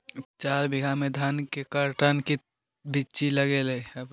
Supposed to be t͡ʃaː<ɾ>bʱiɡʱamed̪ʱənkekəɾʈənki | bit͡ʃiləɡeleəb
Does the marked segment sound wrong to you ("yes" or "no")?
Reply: no